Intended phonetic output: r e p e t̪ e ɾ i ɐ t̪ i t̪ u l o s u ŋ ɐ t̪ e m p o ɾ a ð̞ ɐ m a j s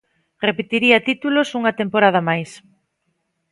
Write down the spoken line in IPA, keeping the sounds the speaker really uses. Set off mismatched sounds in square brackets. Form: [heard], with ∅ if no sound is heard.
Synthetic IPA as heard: r e p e t̪ [i] ɾ i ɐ t̪ i t̪ u l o s u ŋ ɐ t̪ e m p o ɾ a ð̞ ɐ m a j s